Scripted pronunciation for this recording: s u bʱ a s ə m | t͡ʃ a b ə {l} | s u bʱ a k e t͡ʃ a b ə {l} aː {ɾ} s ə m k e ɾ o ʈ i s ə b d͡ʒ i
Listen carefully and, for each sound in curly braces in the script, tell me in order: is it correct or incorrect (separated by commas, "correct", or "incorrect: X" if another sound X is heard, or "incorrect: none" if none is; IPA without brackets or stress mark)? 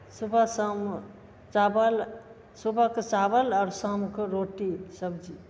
correct, correct, correct